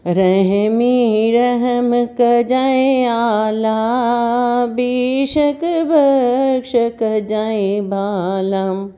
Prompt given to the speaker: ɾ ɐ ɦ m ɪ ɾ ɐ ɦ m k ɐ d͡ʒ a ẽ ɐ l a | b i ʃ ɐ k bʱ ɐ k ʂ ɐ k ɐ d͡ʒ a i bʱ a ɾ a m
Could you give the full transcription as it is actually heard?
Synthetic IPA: ɾ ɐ ɦ m i ɾ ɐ ɦ m k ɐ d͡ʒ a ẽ a l a | b i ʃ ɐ k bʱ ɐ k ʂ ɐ k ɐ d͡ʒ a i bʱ a l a m

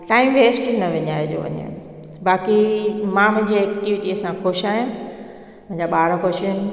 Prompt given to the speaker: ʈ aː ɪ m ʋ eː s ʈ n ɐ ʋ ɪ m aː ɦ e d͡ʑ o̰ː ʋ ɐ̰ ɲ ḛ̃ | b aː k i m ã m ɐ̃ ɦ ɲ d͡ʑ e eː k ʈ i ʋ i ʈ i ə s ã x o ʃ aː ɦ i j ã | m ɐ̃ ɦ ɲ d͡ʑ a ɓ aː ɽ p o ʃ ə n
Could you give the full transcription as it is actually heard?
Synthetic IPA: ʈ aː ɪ m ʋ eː s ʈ n ɐ ʋ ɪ ɲ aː ɦ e d͡ʑ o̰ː ʋ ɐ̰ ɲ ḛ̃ | b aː k i m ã m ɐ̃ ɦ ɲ d͡ʑ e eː k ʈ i ʋ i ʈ i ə s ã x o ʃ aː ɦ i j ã | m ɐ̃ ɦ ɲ d͡ʑ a ɓ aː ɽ k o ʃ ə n

